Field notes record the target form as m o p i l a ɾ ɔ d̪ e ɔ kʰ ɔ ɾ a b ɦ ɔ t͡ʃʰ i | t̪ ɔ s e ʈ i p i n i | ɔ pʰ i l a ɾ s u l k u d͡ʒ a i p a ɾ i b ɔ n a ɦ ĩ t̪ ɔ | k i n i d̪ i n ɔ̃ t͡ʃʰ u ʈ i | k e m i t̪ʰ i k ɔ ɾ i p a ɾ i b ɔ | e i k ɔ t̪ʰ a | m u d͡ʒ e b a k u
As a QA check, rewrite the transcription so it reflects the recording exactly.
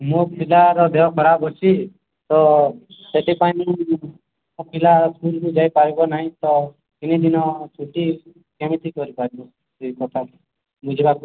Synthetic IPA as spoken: m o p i l a ɾ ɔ d̪ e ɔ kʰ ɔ ɾ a b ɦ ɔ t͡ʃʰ i | t̪ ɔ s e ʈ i p a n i | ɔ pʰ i l a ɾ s u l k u d͡ʒ a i p a ɾ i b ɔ n a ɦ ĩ t̪ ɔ | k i n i d̪ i n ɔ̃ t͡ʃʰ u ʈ i | k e m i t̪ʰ i k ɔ ɾ i p a ɾ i b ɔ | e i k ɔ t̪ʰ a | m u d͡ʒ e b a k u